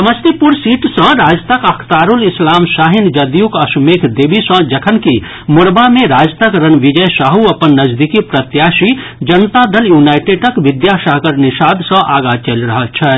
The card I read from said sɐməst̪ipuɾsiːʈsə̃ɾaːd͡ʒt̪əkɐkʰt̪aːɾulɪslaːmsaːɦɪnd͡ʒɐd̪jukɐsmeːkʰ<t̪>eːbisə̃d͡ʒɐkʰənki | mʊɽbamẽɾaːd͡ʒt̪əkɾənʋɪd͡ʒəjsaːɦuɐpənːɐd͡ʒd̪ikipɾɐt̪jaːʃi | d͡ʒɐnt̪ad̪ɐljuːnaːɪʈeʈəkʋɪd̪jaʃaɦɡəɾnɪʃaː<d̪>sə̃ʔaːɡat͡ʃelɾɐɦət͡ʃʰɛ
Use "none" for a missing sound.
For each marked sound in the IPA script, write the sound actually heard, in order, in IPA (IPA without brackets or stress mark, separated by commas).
d̪, d̪